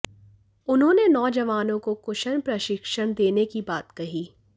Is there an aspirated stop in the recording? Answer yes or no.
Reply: no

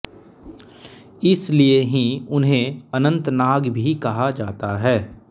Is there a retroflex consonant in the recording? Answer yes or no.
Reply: no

